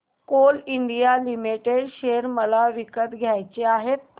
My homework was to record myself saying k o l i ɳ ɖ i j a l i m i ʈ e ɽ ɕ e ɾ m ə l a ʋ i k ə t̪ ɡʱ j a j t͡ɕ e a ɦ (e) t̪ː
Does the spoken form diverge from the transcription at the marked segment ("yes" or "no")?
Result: no